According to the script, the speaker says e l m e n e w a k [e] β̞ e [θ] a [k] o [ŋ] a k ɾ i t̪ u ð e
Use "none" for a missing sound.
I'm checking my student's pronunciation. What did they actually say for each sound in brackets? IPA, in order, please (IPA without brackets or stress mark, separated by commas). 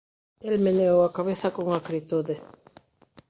a, θ, k, ŋ